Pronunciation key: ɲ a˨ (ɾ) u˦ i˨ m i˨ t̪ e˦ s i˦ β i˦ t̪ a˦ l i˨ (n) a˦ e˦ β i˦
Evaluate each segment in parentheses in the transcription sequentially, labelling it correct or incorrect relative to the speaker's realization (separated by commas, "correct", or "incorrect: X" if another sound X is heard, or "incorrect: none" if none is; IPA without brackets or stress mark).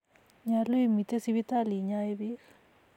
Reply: incorrect: l, incorrect: ɲ